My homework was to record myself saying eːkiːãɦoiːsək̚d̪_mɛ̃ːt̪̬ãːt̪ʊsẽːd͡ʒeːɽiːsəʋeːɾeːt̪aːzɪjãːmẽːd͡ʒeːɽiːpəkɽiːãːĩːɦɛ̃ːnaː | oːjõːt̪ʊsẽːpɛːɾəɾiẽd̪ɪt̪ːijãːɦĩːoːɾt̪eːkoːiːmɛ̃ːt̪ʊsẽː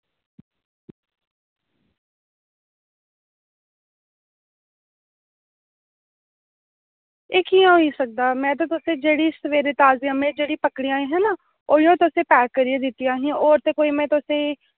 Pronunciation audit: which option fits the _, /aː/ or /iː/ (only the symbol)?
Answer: aː